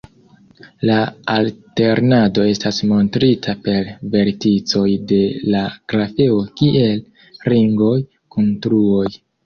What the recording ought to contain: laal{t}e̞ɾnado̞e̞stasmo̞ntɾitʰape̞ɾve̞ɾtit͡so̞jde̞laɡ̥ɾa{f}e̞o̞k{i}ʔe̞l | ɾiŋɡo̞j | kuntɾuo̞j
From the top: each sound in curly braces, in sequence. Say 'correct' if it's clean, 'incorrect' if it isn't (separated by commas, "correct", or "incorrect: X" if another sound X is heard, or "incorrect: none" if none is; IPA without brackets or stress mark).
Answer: correct, correct, correct